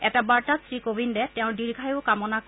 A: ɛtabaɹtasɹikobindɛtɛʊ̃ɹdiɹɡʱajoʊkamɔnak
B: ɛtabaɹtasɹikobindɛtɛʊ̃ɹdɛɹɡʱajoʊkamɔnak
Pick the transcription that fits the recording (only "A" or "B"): A